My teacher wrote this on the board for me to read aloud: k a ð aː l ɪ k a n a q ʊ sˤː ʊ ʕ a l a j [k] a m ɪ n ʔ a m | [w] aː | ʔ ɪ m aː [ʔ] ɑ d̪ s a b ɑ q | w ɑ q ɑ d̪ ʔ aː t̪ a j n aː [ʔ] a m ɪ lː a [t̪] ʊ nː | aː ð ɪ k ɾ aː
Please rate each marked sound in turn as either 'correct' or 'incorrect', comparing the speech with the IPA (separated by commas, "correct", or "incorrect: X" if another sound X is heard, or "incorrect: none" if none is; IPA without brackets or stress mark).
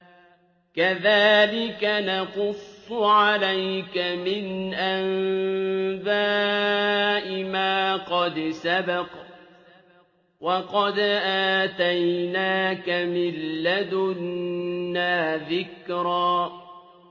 correct, incorrect: b, incorrect: q, incorrect: k, incorrect: d̪